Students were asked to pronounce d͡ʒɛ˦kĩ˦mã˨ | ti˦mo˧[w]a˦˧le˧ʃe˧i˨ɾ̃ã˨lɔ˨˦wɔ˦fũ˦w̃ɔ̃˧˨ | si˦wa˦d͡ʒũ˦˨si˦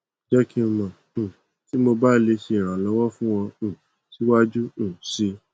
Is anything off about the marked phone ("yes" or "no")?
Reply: yes